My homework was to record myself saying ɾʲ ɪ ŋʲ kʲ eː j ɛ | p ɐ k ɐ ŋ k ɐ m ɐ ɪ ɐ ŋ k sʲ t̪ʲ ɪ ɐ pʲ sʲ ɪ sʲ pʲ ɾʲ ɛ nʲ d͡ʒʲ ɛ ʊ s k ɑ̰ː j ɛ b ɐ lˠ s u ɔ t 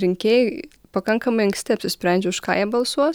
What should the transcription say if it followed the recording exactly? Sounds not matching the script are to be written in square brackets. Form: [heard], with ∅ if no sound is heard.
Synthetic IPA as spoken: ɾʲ ɪ ŋʲ kʲ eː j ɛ | p ɐ k ɐ ŋ k ɐ m ɐ ɪ ɐ ŋ k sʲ t̪ʲ ɪ ɐ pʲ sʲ ɪ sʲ pʲ ɾʲ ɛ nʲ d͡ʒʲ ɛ ʊ [ʃ] k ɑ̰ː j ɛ b ɐ lˠ s u ɔ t